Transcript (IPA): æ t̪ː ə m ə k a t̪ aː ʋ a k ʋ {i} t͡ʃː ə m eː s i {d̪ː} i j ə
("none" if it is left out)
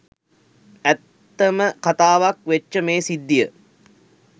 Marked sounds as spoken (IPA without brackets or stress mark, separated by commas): e, d̪ː